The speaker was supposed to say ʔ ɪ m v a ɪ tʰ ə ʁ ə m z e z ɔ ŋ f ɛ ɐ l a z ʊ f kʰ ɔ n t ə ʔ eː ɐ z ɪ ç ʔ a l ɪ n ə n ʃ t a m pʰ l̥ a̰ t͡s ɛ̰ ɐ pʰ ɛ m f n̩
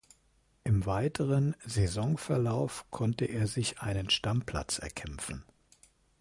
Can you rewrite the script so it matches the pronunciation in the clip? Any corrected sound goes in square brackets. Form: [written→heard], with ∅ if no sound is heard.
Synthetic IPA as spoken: ʔ ɪ m v a ɪ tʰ ə ʁ ə [m→n] z e z ɔ ŋ f ɛ ɐ l a [z→∅] ʊ f kʰ ɔ n t ə ʔ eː ɐ z ɪ ç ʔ a [l→∅] ɪ n ə n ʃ t a m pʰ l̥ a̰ t͡s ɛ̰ ɐ [pʰ→kʰ] ɛ m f n̩